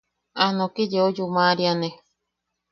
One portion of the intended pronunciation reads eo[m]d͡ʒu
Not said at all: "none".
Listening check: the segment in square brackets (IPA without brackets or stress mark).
none